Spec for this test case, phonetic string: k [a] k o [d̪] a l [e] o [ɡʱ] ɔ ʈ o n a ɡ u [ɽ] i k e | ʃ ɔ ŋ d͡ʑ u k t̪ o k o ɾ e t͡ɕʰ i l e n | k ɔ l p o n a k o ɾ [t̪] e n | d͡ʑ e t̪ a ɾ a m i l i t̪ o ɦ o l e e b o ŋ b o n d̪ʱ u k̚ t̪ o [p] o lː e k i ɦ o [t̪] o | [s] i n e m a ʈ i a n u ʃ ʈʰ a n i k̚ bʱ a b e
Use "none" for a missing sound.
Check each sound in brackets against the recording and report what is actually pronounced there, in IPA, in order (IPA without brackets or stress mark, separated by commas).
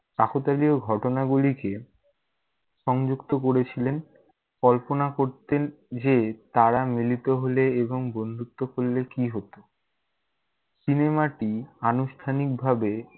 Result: a, t̪, i, ɡʱ, l, t̪, k, t̪, s